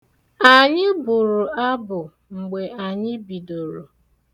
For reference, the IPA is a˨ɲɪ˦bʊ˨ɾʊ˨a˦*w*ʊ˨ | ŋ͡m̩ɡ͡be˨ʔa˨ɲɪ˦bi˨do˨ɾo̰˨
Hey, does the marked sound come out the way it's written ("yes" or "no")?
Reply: no